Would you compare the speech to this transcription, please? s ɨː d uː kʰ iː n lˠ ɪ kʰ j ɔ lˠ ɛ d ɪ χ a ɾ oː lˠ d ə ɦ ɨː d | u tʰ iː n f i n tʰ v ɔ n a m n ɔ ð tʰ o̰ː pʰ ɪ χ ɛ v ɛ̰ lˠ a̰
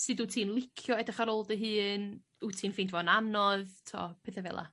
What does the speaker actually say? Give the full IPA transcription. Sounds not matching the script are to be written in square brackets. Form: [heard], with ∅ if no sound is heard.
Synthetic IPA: s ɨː d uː [tʰ] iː n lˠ ɪ kʰ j ɔ [∅] ɛ d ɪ χ a ɾ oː lˠ d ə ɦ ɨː [n] | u tʰ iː n f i n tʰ v ɔ n a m n ɔ ð tʰ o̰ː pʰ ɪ [θ] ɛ v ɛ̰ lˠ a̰